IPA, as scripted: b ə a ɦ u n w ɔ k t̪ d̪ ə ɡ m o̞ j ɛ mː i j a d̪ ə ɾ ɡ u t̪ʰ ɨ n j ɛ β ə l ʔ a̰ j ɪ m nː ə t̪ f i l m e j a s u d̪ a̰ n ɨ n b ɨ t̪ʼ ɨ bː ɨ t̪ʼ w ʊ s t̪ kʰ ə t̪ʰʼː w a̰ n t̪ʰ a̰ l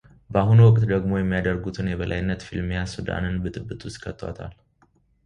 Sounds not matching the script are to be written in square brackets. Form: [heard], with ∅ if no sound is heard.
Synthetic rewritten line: b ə a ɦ u n w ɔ [kʼ] t̪ d̪ ə ɡ m o̞ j ɛ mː i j a d̪ ə ɾ ɡ u t̪ʰ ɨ n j ɛ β ə l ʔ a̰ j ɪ [∅] nː ə t̪ f i l m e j a s u d̪ a̰ n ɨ n b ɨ t̪ʼ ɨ bː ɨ t̪ʼ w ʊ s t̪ kʰ ə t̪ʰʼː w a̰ [∅] t̪ʰ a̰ l

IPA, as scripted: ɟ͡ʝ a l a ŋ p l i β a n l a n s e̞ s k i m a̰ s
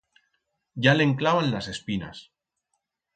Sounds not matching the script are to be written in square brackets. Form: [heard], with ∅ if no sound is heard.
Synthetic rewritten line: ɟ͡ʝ a l [e] ŋ [k] l [a] β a n l a [∅] s e̞ s [p] i [n] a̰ s

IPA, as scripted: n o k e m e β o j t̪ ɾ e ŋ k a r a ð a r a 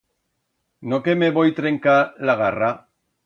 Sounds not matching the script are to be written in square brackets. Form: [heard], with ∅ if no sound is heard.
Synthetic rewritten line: n o k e m e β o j t̪ ɾ e ŋ k a [l] a [ɣ] a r a

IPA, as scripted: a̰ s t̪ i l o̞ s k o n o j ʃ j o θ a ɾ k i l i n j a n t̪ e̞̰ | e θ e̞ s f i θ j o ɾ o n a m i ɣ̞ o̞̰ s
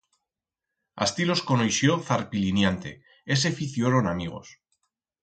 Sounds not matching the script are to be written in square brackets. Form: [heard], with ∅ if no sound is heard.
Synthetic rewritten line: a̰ s t̪ i l o̞ s k o n o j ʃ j o θ a ɾ [p] i l i n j a n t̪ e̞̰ | e [s] e̞ [∅] f i θ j o ɾ o n a m i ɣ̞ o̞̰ s

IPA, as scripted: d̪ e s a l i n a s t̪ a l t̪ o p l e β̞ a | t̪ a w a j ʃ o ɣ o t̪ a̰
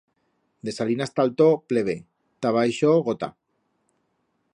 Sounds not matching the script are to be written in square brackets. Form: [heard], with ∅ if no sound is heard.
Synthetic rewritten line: d̪ e s a l i n a s t̪ a l t̪ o p l e β̞ [e] | t̪ a [β] a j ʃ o ɣ o t̪ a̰

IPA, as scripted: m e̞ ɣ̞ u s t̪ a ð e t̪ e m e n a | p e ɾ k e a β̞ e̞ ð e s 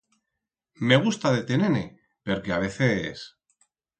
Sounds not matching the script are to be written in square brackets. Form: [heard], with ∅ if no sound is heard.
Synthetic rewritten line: m e̞ ɣ̞ u s t̪ a ð e t̪ e [n] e n [e] | p e ɾ k e a β̞ e̞ [θ] e s

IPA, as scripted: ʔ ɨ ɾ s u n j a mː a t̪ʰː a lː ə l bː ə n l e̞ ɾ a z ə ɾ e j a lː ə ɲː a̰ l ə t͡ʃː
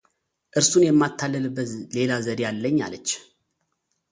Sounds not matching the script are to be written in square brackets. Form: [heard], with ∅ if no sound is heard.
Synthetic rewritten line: ʔ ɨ ɾ s u n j [ɛ] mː a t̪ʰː a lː ə l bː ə [∅] l e̞ [l] a z ə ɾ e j a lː ə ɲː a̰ l ə t͡ʃː

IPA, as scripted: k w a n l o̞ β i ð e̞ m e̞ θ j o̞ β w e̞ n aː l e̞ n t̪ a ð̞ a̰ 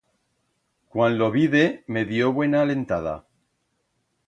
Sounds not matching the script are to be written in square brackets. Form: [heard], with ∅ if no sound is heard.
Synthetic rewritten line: k w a n l o̞ β i ð e̞ m e̞ [ð] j o̞ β w e̞ n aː l e̞ n t̪ a ð̞ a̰

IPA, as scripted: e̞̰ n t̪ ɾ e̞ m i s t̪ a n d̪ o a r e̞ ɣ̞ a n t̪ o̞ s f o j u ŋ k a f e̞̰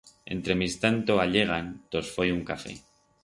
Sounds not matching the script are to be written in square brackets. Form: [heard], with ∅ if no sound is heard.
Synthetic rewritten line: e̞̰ n t̪ ɾ e̞ m i s t̪ a n [t̪] o a [ʎ] e̞ ɣ̞ a n t̪ o̞ s f o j u ŋ k a f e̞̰

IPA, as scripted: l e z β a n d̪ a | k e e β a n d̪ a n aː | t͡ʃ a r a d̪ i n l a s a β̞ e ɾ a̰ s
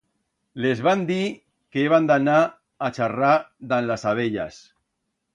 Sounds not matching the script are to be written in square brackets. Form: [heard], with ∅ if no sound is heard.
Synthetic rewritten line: l e z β a n d̪ [i] | k e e β a n d̪ a n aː | t͡ʃ a r a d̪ [a] n l a s a β̞ e [ʎ] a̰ s

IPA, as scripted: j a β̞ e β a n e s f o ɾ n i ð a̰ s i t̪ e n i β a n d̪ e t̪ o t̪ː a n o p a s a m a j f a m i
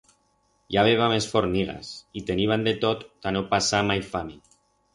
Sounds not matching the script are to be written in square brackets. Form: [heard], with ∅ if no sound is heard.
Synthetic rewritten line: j a β̞ e β a [m] e s f o ɾ n i [ɣ] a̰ s i t̪ e n i β a n d̪ e t̪ o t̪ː a n o p a s a m a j f a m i

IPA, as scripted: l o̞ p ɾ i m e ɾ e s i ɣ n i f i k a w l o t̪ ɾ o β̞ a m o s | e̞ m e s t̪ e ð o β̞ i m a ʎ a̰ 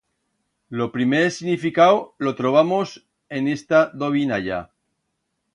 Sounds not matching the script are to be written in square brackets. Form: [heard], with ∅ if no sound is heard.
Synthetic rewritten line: l o̞ p ɾ i m e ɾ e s i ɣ n i f i k a w l o t̪ ɾ o β̞ a m o s | e̞ [n] e s t̪ [a] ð o β̞ i [n] a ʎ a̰

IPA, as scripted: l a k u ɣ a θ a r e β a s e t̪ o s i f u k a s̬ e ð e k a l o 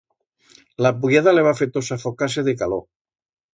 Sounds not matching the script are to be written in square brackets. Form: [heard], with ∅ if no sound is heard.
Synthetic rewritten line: l a [p] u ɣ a [ð] a [l] e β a [f] e t̪ o s [a] f [o] k a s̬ e ð e k a l o

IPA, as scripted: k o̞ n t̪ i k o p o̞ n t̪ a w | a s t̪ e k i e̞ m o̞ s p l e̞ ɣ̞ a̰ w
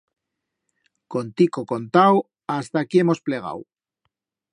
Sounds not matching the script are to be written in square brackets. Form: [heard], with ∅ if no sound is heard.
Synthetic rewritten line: k o̞ n t̪ i k o [k] o̞ n t̪ a w | a s t̪ [a] k i e̞ m o̞ s p l e̞ ɣ̞ a̰ w

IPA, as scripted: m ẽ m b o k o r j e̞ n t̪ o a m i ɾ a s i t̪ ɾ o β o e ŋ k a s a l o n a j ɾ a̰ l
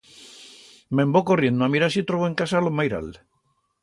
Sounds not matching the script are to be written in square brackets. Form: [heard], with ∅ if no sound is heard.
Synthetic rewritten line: m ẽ m b o k o r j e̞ n [d̪] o a m i ɾ a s i t̪ ɾ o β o e ŋ k a s a l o [m] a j ɾ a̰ l

